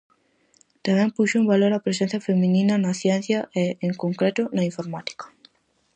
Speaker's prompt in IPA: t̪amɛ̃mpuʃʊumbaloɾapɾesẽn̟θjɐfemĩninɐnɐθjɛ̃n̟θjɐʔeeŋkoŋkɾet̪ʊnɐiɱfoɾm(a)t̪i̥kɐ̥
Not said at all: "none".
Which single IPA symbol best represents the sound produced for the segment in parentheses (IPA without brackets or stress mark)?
a